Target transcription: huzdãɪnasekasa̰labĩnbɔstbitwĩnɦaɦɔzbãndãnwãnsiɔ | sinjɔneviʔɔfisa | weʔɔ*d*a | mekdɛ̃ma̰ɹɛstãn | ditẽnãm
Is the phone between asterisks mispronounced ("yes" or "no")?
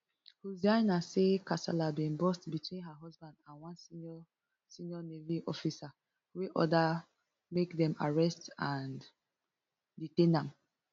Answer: no